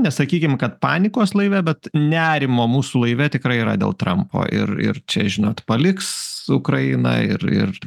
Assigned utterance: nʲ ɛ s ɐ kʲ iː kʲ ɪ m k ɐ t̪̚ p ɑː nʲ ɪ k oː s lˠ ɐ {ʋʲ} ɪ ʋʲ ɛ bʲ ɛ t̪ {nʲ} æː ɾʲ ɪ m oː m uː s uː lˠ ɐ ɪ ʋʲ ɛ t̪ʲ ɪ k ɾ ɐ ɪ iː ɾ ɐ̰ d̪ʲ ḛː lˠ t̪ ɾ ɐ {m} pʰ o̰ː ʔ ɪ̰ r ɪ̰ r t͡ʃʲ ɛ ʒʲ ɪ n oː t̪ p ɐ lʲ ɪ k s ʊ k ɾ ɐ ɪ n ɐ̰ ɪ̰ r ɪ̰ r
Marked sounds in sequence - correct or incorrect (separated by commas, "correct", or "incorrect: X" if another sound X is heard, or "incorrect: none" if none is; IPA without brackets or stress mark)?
incorrect: none, correct, correct